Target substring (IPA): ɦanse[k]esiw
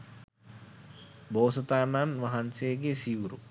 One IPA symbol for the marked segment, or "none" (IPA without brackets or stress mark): ɡ